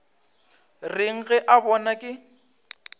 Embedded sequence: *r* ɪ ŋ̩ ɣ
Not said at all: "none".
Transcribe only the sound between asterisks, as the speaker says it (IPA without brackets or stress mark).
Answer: r